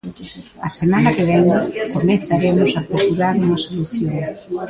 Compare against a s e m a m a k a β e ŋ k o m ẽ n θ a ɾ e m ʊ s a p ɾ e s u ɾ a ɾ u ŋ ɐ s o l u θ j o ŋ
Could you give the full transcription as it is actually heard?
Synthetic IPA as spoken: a s e m a n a k e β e ŋ k o m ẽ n θ a ɾ e m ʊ s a p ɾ e s u ɾ a ɾ u ŋ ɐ s o l u θ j o ŋ